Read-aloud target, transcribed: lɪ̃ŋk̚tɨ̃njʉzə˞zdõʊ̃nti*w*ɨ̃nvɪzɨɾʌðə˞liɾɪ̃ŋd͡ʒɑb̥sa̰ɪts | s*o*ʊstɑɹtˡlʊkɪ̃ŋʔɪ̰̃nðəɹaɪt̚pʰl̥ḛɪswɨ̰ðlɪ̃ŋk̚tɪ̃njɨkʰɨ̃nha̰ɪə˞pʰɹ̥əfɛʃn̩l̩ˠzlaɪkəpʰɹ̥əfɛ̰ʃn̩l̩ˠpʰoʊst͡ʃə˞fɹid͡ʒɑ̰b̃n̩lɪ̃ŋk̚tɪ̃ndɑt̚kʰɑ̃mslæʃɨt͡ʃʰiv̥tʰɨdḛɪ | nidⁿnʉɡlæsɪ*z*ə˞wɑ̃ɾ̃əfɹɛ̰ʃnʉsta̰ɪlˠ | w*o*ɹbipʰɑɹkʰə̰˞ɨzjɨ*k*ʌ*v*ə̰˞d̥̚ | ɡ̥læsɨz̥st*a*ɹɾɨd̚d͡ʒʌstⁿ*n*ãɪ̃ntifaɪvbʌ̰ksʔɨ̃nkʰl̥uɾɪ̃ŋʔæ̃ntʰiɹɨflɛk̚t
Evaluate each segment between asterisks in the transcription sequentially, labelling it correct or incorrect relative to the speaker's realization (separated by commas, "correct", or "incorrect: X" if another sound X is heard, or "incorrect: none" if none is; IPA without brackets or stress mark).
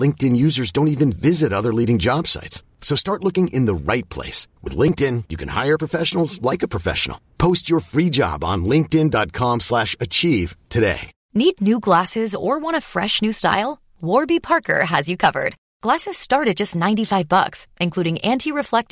incorrect: v, correct, correct, incorrect: ɔ, incorrect: kʰ, correct, incorrect: ɑ, correct